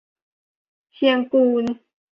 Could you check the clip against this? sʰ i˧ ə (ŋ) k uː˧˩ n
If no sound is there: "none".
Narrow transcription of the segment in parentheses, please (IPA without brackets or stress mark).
ŋ